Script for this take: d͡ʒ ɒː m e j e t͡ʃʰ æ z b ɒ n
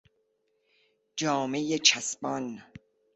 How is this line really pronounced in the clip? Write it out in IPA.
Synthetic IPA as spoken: d͡ʒ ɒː m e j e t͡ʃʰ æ s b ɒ n